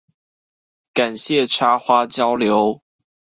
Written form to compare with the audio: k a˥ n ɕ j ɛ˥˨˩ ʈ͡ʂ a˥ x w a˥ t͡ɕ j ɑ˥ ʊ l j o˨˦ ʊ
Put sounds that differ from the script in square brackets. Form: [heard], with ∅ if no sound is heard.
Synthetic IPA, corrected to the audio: k [a˨˩] n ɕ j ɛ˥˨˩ [ʈ͡ʂʰ] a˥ x w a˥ t͡ɕ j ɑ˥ ʊ l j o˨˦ ʊ